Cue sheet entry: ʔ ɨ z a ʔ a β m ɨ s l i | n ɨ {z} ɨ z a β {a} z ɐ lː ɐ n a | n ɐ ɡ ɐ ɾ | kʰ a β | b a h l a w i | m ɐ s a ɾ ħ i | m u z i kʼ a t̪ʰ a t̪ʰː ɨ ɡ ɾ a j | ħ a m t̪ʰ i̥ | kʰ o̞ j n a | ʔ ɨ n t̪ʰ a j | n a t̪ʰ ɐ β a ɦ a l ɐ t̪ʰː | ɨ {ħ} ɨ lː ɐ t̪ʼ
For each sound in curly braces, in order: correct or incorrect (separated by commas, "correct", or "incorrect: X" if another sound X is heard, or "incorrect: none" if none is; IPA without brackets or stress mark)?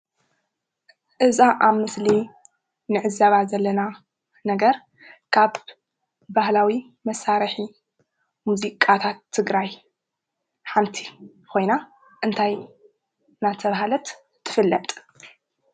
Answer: incorrect: ʕ, correct, incorrect: f